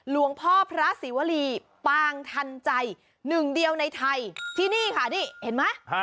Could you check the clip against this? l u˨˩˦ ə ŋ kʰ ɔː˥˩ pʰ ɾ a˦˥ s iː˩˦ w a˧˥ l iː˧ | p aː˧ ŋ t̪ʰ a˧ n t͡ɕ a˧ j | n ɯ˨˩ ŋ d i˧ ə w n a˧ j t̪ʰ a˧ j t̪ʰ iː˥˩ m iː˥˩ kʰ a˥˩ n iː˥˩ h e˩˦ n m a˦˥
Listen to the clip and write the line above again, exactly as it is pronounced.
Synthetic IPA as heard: l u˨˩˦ ə ŋ pʰ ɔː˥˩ pʰ ɾ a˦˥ s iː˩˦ w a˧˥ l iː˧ | p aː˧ ŋ t̪ʰ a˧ n t͡ɕ a˧ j | n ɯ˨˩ ŋ d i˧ ə w n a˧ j t̪ʰ a˧ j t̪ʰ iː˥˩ n iː˥˩ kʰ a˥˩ n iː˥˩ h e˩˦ n m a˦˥